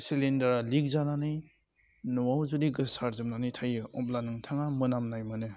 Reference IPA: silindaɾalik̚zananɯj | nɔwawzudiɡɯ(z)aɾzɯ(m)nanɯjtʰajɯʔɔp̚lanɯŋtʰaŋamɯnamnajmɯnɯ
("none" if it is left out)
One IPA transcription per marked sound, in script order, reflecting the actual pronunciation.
s, m

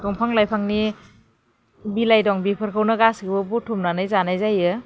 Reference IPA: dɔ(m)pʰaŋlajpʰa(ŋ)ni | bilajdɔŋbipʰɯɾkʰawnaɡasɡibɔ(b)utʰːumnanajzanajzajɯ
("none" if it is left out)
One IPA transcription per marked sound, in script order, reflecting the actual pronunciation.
ŋ, ŋ, b

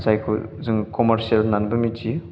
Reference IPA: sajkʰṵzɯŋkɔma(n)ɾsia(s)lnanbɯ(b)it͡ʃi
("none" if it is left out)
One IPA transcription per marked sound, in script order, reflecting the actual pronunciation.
none, none, m

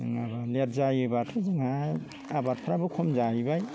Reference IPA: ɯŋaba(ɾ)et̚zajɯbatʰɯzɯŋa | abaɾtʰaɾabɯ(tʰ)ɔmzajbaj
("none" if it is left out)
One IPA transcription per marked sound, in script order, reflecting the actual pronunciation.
l, kʰ

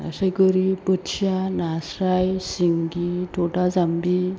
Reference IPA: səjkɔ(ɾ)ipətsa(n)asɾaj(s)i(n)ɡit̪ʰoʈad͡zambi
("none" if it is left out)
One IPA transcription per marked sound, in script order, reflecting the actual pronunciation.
ɾ, n, s, ŋ

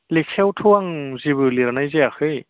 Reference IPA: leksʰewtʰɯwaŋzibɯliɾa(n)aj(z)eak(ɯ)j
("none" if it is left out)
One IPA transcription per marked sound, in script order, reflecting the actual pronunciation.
n, z, ɯ

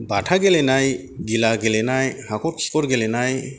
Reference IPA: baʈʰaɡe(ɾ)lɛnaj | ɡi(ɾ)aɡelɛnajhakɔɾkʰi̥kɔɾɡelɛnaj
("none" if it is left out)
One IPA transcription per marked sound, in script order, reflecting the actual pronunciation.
none, l

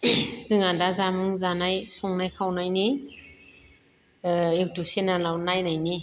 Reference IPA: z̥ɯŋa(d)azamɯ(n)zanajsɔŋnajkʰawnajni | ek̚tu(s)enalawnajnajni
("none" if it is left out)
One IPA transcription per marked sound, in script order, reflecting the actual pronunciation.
d, ŋ, s

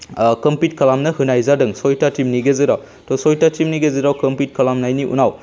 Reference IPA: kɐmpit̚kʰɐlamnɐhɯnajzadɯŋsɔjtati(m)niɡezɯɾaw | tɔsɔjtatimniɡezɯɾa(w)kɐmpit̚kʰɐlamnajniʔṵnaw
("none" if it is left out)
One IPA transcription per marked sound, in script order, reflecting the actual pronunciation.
m, w

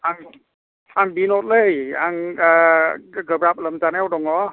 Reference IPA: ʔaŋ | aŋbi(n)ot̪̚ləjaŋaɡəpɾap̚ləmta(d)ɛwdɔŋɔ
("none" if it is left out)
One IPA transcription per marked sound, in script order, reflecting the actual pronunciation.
n, n

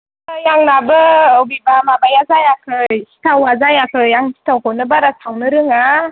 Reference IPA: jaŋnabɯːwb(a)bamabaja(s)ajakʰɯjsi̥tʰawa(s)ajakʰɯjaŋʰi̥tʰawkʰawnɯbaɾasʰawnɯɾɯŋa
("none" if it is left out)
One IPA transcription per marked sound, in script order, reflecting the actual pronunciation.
i, z, z

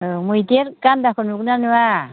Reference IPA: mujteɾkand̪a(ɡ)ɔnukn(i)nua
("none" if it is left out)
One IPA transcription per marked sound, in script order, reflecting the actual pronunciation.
k, a

